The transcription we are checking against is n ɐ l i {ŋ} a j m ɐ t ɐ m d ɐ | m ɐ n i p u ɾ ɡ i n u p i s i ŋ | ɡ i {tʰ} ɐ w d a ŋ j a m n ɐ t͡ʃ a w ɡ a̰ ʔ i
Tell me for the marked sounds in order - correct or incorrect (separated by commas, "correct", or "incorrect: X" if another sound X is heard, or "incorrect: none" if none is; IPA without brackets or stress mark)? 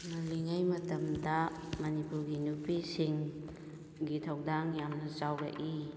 correct, correct